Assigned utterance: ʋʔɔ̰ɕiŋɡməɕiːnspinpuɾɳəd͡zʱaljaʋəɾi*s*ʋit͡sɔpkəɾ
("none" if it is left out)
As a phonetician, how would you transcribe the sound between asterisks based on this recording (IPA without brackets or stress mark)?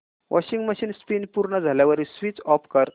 s